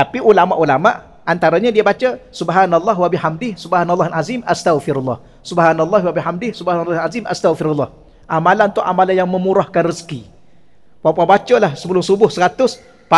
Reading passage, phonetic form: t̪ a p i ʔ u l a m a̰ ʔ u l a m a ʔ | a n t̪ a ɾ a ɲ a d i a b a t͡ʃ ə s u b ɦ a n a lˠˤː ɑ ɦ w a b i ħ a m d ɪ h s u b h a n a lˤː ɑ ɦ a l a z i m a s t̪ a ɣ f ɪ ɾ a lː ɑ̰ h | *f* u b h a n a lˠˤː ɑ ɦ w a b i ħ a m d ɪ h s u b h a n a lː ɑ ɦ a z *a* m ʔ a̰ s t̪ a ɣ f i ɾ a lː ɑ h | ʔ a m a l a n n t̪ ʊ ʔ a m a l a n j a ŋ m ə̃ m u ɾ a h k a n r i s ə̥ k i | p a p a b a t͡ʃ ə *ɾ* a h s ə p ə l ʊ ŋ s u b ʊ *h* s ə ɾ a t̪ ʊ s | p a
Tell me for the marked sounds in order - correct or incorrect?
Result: incorrect: s, incorrect: i, incorrect: l, correct

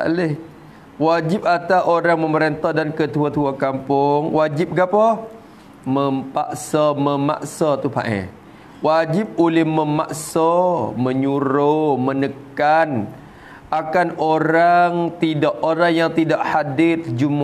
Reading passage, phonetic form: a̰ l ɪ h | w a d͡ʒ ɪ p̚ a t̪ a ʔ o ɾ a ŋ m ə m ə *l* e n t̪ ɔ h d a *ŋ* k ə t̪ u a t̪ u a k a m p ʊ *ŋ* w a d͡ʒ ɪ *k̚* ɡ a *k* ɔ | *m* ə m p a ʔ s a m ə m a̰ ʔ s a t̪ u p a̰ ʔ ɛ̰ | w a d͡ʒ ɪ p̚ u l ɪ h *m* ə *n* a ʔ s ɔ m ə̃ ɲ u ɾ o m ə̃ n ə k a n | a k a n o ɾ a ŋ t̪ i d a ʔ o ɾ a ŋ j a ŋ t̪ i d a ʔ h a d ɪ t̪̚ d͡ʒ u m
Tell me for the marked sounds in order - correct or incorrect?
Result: incorrect: ɾ, incorrect: n, correct, incorrect: p̚, incorrect: p, correct, correct, incorrect: m

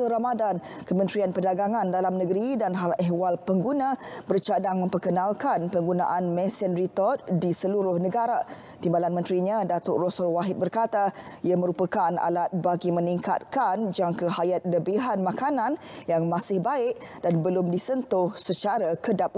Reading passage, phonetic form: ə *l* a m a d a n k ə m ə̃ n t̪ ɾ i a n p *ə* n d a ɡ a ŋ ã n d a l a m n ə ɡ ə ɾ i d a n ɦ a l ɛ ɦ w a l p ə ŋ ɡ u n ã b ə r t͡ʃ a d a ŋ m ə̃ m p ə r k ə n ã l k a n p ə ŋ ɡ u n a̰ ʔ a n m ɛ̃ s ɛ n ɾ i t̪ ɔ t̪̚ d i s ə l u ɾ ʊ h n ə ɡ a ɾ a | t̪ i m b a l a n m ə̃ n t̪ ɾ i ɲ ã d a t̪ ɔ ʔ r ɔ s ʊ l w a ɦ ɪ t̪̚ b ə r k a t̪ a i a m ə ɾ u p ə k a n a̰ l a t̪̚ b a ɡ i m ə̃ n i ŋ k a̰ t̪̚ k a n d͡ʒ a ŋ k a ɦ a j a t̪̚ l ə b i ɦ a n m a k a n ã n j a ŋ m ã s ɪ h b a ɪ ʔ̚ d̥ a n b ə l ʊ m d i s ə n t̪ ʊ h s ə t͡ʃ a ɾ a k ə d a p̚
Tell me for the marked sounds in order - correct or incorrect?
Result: incorrect: ɾ, correct

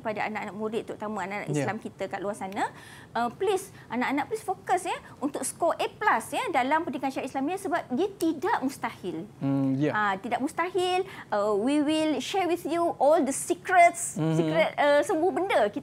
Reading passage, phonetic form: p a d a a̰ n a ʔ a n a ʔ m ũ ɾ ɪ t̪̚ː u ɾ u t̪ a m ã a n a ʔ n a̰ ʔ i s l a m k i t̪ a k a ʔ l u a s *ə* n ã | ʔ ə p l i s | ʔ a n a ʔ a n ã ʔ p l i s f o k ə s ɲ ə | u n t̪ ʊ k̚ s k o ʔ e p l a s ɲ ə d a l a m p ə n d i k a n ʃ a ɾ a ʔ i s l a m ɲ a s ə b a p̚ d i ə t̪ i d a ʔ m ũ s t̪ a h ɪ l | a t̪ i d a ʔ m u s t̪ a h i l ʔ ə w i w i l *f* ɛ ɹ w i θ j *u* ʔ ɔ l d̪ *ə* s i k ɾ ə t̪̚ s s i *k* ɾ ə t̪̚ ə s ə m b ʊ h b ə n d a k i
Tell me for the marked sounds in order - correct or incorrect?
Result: incorrect: a, incorrect: ʃ, correct, correct, correct

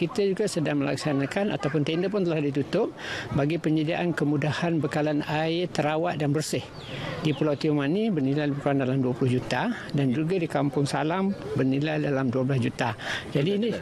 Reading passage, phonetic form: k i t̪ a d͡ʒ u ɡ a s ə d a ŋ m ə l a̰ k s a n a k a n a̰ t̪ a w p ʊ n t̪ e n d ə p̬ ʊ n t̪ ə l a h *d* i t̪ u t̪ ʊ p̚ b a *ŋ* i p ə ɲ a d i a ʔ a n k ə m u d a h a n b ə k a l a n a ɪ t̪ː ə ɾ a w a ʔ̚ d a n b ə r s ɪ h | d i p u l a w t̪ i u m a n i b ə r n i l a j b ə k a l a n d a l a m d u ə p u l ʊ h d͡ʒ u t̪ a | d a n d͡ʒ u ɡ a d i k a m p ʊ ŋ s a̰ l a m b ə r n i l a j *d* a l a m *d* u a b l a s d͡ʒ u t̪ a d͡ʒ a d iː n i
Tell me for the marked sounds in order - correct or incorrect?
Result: correct, incorrect: ɡ, correct, correct

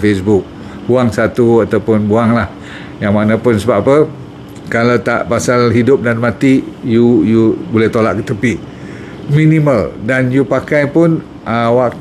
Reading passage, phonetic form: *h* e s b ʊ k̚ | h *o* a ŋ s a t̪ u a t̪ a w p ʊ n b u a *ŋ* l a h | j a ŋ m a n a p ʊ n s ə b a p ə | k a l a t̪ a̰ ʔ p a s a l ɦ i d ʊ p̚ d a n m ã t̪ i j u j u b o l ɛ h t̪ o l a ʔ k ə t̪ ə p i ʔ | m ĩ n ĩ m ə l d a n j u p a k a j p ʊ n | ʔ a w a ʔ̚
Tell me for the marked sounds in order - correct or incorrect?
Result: incorrect: f, incorrect: u, correct

